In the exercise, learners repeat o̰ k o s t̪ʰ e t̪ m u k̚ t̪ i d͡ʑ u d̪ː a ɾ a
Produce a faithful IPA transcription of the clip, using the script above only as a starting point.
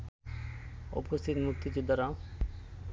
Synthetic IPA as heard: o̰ p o s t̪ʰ i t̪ m u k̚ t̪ i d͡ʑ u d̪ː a ɾ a